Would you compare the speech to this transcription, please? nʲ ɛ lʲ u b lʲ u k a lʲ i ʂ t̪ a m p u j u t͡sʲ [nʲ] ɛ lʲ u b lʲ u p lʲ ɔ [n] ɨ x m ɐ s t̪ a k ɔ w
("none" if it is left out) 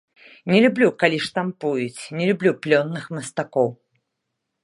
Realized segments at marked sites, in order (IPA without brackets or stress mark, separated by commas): nʲ, nː